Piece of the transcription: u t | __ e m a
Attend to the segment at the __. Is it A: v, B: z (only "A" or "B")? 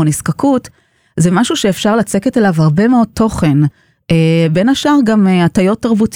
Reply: B